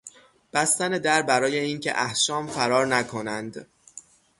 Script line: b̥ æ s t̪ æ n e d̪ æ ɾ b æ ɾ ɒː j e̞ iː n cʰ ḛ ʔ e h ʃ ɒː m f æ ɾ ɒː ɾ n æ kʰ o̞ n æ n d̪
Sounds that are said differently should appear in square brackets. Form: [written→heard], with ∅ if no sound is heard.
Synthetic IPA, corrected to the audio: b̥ æ s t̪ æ n e d̪ æ ɾ b æ ɾ ɒː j e̞ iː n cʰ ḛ ʔ [e→æ] h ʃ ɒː m f æ ɾ ɒː ɾ n æ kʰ o̞ n æ n d̪